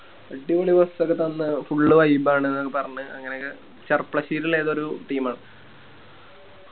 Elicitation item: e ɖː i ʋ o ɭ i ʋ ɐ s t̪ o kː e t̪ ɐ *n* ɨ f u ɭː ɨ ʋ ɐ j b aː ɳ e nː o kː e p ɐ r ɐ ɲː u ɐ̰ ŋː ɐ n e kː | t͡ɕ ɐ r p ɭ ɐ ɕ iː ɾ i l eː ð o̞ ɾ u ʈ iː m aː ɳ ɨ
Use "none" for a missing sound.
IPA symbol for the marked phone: nː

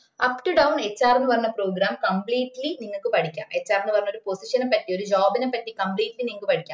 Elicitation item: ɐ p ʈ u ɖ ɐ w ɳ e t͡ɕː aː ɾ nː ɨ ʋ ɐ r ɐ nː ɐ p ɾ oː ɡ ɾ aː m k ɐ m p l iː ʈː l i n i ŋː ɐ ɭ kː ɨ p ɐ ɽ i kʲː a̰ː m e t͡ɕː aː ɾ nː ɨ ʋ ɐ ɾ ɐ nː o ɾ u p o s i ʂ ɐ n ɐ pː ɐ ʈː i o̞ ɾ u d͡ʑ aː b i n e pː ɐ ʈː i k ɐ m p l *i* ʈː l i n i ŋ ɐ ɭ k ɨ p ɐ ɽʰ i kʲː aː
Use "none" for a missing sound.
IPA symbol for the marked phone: iː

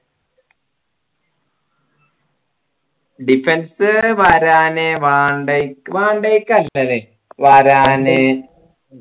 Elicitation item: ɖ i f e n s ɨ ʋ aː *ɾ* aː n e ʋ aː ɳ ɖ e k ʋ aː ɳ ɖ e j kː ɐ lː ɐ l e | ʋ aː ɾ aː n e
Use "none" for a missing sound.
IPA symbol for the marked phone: ɾ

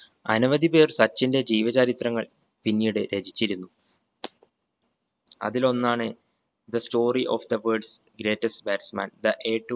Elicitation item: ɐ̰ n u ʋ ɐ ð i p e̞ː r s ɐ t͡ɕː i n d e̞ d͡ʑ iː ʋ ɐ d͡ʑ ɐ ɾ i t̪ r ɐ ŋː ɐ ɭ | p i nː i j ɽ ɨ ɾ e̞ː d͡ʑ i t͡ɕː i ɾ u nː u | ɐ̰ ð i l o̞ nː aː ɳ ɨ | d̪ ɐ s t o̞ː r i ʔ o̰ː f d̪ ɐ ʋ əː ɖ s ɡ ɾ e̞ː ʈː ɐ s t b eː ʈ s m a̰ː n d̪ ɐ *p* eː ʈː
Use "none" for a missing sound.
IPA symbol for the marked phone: ʔ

